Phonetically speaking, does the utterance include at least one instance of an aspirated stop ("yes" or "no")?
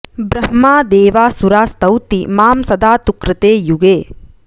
no